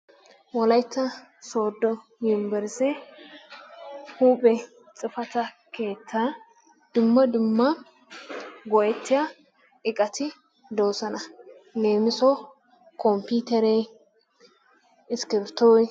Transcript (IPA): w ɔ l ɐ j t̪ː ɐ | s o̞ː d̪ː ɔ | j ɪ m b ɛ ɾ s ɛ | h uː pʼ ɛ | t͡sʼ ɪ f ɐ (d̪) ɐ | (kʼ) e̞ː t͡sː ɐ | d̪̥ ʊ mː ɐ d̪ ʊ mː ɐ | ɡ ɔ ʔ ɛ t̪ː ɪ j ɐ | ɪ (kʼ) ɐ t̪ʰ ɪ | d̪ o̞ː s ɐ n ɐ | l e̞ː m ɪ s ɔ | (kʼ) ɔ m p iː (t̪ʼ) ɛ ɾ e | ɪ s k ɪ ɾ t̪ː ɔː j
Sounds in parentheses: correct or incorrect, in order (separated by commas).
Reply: incorrect, incorrect, correct, incorrect, incorrect